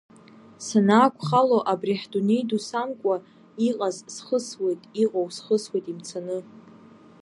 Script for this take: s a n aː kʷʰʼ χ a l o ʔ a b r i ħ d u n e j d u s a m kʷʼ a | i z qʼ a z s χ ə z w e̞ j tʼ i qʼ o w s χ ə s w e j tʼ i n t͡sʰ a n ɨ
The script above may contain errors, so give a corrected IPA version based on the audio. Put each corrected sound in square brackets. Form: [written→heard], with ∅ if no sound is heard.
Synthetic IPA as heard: s a n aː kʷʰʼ χ a l o ʔ a b r i ħ d u n e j d u s a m kʷʼ a | i [z→∅] qʼ a z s χ ə [z→s] w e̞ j tʼ i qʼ o w s χ ə s w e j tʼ i [n→m] t͡sʰ a n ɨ